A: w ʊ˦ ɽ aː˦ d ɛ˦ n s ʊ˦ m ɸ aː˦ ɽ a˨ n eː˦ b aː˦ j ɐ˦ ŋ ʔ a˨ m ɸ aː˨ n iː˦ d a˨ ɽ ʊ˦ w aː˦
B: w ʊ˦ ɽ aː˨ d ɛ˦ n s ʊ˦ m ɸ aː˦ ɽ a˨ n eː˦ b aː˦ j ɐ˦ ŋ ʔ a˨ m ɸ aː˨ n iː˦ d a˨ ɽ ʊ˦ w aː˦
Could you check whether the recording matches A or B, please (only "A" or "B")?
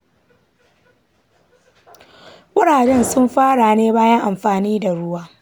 B